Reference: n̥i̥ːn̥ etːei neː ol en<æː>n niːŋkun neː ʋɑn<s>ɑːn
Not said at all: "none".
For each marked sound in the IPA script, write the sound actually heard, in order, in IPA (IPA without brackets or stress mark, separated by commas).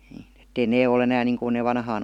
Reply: æː, h